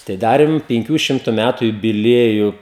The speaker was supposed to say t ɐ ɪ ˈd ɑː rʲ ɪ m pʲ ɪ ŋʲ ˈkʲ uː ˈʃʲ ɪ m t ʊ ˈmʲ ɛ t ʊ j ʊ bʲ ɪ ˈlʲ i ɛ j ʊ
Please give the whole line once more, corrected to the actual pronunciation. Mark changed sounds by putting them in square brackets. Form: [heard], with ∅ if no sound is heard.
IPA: t ɐ ɪ ˈd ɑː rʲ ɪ m pʲ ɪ ŋʲ ˈkʲ uː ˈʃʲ ɪ m t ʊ ˈmʲ [æ] t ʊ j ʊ bʲ ɪ ˈlʲ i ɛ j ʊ